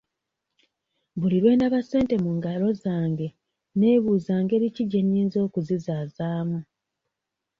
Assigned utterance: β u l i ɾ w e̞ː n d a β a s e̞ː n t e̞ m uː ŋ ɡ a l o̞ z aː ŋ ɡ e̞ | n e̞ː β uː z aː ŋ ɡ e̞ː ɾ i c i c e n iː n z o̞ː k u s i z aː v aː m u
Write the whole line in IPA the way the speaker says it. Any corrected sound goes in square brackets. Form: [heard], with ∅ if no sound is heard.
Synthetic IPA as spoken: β u l i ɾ w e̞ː n d a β a s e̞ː n t e̞ m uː ŋ ɡ a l o̞ z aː ŋ ɡ e̞ | n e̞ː β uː z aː ŋ ɡ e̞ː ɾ i c i [ɟ] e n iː n z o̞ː k u [z] i z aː [z] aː m u